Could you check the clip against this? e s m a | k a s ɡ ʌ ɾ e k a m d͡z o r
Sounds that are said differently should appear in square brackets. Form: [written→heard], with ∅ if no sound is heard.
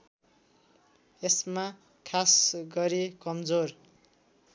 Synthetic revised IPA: e s m a | [k→kʰ] a s ɡ ʌ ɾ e k [a→ʌ] m d͡z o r